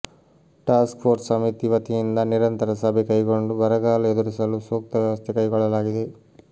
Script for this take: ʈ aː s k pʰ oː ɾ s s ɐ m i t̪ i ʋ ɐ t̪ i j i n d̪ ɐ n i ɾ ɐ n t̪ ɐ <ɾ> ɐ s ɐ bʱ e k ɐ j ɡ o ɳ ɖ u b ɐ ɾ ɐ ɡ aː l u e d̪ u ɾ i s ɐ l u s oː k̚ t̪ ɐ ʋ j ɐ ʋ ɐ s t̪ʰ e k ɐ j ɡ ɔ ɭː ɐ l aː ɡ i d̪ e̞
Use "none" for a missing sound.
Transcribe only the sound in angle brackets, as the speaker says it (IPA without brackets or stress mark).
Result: ɾ